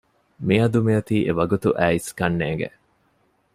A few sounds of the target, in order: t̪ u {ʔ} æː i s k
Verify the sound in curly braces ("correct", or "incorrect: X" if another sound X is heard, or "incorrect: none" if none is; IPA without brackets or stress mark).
correct